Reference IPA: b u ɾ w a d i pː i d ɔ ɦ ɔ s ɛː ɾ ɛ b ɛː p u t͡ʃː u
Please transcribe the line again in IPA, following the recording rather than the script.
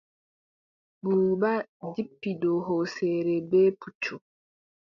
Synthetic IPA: b u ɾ b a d i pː i d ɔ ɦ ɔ s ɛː ɾ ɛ b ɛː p u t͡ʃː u